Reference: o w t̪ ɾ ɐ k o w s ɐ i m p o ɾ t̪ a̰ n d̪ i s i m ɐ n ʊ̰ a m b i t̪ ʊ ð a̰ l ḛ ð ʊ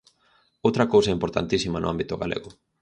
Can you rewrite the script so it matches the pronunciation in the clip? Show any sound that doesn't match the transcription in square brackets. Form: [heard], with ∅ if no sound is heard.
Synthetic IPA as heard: o w t̪ ɾ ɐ k o w s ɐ i m p o ɾ t̪ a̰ n [t̪] i s i m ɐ n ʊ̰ a m b i t̪ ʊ [ɣ] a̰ l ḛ [ɣ] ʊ